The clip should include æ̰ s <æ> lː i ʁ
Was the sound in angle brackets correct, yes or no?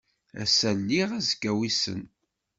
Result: yes